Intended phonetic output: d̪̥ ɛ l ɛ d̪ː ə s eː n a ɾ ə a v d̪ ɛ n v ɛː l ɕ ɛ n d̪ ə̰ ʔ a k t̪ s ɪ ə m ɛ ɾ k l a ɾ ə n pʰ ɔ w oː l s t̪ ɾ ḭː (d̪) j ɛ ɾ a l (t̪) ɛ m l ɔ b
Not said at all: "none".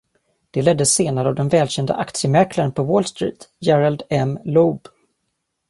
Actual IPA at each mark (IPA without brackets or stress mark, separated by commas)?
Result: t̪, d̪